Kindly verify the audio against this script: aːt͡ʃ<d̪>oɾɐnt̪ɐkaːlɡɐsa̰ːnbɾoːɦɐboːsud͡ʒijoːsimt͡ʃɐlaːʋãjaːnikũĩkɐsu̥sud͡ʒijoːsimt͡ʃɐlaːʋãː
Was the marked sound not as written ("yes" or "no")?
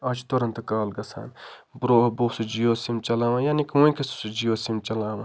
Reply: yes